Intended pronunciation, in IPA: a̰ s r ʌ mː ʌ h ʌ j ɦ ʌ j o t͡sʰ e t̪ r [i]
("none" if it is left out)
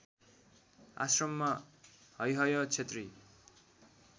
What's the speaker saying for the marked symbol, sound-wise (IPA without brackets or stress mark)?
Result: i